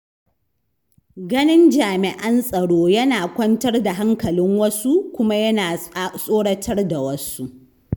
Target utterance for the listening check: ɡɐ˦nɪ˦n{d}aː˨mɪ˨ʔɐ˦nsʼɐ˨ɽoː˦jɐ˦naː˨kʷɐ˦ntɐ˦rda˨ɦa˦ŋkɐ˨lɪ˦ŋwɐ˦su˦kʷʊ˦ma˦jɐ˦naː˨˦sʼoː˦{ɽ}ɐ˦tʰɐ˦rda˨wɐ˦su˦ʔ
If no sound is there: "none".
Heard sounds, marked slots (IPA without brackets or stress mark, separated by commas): d͡ʒ, ɽ